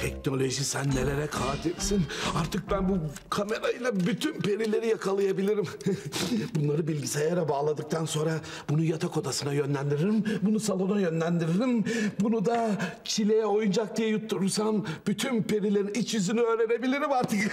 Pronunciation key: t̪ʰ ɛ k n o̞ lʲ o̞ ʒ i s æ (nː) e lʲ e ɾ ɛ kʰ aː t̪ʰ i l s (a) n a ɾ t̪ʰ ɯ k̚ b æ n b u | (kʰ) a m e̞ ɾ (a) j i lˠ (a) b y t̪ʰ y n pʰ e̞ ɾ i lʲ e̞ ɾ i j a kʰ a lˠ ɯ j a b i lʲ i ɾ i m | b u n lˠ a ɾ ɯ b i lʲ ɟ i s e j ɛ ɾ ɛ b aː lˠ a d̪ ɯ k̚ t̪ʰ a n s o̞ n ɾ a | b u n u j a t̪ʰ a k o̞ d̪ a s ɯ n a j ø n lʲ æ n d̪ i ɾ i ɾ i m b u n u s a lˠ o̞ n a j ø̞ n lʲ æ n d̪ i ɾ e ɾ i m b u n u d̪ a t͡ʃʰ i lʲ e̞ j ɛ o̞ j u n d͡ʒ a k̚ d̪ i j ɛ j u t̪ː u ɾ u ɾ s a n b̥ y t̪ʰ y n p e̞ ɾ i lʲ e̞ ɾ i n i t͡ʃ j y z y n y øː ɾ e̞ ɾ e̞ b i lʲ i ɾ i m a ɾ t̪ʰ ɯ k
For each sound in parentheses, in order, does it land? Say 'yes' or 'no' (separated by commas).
yes, no, yes, yes, yes